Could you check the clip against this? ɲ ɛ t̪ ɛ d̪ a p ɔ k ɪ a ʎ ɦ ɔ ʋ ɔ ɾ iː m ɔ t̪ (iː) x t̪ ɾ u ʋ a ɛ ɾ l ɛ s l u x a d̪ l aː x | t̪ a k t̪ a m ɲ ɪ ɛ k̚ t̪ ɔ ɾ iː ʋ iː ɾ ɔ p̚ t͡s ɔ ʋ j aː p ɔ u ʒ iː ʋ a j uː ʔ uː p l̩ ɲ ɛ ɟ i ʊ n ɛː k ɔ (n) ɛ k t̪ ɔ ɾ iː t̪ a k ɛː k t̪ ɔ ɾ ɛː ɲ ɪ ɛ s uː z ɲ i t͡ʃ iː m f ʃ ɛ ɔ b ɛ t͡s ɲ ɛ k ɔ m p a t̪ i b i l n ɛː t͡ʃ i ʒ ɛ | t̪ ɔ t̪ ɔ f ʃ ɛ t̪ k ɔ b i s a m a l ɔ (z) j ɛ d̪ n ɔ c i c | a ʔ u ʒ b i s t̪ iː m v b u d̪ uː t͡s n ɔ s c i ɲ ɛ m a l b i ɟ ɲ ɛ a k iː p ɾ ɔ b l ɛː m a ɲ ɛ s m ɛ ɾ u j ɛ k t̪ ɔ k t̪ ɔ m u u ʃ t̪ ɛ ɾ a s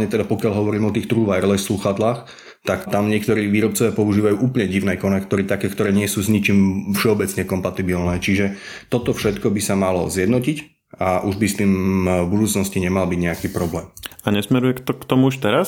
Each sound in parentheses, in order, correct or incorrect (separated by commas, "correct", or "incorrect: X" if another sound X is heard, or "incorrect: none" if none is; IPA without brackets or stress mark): correct, correct, correct